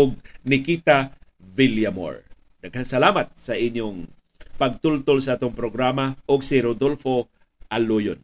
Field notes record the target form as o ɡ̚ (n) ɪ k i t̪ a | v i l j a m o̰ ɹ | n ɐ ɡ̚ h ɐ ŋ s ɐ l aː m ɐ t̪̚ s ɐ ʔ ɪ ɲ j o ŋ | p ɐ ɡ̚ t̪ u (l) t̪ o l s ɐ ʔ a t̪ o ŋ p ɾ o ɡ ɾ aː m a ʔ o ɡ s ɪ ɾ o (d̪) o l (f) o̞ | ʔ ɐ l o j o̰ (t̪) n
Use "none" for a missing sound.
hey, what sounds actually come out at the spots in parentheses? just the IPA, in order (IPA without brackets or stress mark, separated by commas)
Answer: n, l, d̪, f, none